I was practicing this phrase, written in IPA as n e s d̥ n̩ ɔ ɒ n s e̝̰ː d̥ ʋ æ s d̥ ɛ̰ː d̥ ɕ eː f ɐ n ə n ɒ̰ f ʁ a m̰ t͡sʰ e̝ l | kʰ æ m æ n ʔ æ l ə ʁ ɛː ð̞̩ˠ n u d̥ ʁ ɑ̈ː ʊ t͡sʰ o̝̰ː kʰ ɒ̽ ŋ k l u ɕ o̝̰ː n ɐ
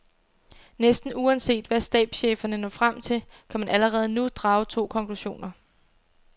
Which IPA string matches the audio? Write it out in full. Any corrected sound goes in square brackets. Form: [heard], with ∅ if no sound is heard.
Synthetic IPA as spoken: n e s d̥ n̩ [u] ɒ n s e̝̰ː d̥ ʋ æ s d̥ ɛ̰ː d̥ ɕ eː f ɐ n ə n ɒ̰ f ʁ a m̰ t͡sʰ e̝ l | kʰ æ m æ n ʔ æ l ə ʁ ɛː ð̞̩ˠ n u d̥ ʁ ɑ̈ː ʊ t͡sʰ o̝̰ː kʰ ɒ̽ ŋ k l u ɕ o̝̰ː n ɐ